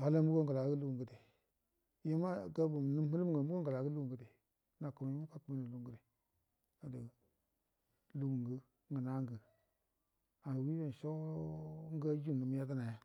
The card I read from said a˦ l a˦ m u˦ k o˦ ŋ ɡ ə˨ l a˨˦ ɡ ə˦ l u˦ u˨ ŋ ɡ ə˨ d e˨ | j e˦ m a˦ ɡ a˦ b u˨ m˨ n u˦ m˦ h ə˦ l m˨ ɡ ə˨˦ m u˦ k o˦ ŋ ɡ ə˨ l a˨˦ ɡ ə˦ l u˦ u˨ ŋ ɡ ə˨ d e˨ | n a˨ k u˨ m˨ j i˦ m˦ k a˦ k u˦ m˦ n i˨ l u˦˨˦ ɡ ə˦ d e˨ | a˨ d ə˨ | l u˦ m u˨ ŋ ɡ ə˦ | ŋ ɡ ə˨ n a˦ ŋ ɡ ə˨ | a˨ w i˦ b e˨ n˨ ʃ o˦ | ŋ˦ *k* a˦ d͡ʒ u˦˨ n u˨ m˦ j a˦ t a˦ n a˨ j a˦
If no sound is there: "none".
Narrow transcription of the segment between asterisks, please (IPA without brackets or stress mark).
ɡ